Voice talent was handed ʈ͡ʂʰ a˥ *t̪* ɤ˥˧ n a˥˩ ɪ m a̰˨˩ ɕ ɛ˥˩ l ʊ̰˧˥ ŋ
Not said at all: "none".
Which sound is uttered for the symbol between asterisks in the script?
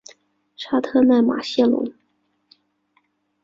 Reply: t̪ʰ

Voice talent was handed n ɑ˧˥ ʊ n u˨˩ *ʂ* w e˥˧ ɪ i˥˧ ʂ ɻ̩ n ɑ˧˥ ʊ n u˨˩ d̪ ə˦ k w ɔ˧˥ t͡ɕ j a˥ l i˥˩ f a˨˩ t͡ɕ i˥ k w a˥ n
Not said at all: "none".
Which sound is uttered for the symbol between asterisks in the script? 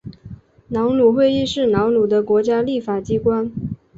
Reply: x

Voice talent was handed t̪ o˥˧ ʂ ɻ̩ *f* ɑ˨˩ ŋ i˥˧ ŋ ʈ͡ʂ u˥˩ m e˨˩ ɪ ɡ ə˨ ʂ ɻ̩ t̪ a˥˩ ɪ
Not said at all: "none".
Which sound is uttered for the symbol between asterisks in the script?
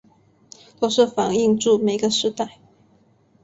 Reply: f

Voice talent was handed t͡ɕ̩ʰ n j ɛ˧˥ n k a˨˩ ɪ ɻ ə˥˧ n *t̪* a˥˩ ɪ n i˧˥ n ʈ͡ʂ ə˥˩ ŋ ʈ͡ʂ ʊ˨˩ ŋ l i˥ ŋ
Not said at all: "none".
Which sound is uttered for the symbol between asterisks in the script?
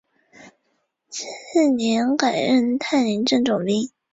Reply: t̪ʰ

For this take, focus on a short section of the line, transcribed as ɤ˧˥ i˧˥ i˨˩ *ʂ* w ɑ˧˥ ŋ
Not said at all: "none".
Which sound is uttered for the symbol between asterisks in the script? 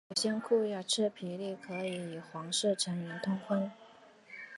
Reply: x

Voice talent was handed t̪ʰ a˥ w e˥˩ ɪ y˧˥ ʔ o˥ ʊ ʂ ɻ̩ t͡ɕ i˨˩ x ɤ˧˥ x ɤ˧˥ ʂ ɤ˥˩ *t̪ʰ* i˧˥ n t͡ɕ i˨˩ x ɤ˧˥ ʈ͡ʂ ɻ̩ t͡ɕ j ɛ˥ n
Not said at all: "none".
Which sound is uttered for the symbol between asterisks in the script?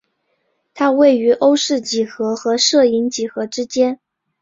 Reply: none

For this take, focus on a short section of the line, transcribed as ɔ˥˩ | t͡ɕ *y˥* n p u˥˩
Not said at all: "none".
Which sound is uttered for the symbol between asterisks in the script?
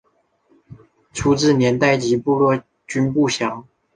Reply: y˥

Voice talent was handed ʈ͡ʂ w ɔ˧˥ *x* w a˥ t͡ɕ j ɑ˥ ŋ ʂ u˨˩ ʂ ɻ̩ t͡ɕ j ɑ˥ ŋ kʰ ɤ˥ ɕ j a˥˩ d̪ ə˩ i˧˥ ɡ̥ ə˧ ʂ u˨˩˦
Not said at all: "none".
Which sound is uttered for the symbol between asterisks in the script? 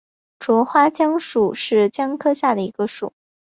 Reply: x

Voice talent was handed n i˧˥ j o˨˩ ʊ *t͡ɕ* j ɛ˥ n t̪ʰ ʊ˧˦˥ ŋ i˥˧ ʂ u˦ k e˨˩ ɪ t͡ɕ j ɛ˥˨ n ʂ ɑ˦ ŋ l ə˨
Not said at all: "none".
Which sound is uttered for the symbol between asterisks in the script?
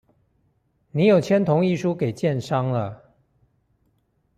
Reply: t͡ɕʰ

